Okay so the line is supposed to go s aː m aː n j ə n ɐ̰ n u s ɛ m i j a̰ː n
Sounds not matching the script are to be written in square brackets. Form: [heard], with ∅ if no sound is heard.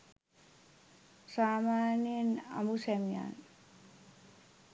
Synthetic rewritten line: s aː m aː n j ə n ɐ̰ [m] u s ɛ m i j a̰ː n